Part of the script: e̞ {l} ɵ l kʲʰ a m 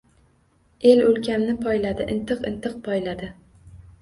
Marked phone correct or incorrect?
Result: correct